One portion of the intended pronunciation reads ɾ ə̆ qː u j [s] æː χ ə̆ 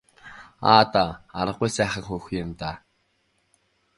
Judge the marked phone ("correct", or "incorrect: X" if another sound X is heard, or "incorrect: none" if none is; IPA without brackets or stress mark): correct